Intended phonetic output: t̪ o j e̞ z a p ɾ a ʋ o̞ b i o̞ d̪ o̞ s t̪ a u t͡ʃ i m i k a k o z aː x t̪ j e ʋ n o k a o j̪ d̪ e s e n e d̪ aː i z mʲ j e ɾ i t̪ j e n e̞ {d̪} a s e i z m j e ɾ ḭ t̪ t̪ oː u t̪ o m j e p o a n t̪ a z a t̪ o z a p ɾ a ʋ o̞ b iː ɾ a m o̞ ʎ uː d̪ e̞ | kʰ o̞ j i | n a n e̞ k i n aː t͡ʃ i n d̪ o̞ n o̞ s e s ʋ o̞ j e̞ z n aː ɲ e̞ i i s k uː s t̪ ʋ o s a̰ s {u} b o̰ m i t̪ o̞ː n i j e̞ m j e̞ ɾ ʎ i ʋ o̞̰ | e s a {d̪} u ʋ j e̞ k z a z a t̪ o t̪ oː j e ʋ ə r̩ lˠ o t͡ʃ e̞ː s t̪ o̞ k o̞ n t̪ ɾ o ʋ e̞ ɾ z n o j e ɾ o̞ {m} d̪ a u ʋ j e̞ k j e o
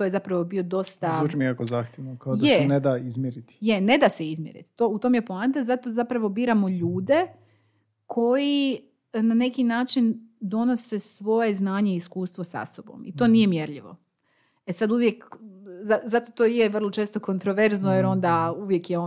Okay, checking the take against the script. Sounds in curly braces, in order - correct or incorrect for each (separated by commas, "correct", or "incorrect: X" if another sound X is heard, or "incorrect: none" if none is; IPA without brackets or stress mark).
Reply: correct, incorrect: o, correct, incorrect: n